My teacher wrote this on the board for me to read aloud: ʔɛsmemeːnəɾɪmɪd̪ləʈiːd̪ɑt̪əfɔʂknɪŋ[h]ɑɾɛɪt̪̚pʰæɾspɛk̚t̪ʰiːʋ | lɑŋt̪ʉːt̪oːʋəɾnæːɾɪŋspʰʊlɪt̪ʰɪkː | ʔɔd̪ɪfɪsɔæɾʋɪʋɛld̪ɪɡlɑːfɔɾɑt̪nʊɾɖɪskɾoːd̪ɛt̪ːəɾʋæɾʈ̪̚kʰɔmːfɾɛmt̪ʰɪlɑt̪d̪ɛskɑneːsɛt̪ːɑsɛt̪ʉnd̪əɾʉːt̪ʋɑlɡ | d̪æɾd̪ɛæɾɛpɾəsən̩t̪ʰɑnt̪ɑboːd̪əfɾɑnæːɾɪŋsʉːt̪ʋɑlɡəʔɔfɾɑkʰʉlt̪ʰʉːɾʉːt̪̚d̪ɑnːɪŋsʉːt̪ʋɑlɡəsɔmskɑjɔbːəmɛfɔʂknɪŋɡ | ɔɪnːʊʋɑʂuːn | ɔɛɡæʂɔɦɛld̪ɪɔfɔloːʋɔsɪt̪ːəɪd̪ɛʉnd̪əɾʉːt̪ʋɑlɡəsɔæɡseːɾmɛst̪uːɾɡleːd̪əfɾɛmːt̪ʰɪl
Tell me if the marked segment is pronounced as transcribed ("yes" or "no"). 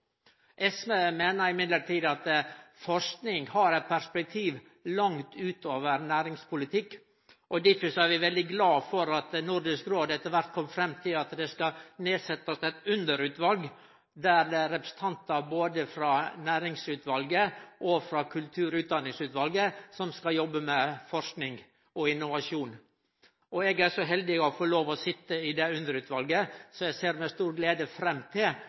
yes